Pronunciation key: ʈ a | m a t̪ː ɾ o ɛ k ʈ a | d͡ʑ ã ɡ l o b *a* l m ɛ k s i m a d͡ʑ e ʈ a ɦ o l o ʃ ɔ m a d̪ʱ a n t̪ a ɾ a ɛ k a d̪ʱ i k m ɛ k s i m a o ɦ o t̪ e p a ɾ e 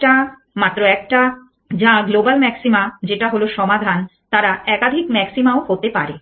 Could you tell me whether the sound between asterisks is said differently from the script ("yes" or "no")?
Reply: no